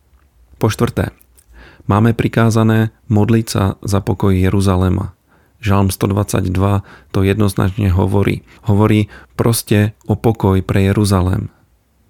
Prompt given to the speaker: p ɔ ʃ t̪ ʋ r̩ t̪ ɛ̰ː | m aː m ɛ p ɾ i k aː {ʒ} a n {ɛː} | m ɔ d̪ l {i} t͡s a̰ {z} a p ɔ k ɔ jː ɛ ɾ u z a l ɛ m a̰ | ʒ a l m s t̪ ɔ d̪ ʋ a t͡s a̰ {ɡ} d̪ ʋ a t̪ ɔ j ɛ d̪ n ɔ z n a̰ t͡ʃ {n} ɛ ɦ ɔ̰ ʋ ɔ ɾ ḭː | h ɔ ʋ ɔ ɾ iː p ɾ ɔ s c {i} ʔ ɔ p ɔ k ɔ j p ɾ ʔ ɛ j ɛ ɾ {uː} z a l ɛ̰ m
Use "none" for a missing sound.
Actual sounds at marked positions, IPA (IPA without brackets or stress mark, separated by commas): z, ɛː, i, z, ɟ, ɲ, ɛ, u